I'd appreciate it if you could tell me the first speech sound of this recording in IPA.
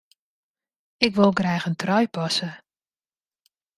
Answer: ɪ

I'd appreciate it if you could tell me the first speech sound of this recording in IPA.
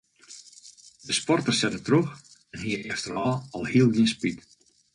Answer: d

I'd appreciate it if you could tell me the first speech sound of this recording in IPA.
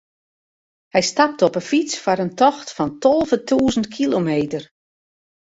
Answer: h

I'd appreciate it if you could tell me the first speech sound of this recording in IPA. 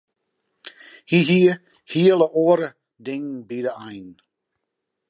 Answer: h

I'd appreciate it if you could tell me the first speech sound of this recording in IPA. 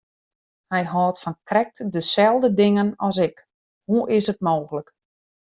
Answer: h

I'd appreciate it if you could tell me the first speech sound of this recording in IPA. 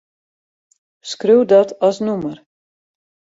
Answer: s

